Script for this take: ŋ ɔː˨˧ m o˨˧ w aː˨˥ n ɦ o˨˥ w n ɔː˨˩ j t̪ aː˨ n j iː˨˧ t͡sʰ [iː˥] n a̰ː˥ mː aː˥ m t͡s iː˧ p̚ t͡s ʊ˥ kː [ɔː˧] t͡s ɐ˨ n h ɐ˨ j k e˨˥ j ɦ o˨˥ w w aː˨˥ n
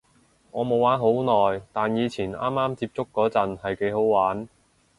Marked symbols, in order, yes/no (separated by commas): no, no